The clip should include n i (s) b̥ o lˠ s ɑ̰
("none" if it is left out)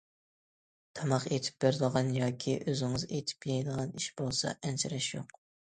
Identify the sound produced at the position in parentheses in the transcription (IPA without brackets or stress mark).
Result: ʃ